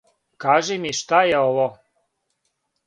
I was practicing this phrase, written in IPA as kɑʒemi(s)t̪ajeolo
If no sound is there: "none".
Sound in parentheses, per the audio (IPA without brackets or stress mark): ʃ